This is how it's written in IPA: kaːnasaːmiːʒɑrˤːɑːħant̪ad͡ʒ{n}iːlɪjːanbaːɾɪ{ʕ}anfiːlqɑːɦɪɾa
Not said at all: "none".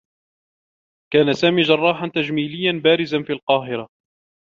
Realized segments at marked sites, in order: m, z

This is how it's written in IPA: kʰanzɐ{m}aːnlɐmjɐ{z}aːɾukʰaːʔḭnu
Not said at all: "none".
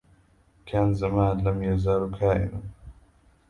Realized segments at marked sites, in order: m, z

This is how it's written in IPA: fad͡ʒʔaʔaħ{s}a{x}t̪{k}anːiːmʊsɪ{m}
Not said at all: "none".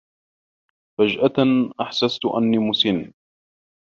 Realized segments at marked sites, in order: s, s, ʔ, n

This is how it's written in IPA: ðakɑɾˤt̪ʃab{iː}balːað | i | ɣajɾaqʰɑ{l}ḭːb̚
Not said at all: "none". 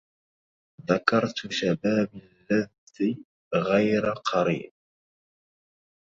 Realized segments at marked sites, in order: aː, ɾ

